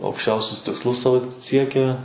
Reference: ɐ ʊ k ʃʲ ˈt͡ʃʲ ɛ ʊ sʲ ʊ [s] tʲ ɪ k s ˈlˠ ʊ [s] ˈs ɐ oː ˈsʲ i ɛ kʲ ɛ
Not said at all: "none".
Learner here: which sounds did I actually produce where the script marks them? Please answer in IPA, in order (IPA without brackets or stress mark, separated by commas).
s, s